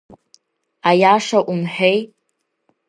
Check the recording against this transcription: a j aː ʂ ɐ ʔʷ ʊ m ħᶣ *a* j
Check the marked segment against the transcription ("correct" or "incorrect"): incorrect